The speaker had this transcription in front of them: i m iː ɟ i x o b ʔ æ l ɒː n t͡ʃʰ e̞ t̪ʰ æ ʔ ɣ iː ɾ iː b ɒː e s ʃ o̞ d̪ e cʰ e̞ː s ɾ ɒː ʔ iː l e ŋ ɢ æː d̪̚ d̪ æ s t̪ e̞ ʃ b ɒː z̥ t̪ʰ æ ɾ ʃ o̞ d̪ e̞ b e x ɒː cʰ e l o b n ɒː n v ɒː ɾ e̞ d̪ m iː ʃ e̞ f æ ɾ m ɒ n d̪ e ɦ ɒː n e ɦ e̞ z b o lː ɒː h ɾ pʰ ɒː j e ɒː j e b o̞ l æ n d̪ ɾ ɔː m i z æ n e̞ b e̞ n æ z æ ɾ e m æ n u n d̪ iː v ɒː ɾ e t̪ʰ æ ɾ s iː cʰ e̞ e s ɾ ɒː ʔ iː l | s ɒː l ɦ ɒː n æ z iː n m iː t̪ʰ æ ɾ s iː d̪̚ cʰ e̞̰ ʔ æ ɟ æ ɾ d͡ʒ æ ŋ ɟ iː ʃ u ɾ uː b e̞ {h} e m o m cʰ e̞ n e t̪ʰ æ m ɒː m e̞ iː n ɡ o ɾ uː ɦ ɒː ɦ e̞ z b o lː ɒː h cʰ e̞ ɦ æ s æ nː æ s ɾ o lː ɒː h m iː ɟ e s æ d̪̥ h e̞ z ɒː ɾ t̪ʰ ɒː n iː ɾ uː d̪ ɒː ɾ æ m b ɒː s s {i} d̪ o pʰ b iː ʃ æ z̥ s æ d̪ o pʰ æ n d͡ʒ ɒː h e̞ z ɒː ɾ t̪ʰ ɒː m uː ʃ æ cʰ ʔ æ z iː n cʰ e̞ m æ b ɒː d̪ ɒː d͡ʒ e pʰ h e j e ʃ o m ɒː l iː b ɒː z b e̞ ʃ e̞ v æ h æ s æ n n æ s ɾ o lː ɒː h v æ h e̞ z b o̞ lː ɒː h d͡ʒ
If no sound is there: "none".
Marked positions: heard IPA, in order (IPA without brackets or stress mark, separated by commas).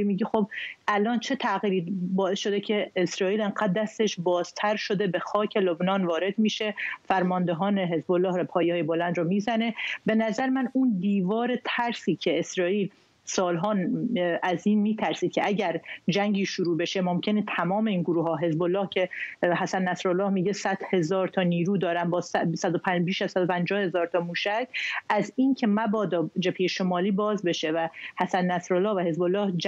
ʃ, æ